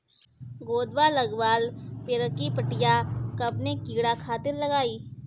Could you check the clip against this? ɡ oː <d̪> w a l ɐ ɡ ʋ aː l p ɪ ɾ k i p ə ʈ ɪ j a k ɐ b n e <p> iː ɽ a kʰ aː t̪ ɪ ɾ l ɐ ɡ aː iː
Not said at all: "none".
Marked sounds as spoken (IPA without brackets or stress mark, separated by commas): d̪, k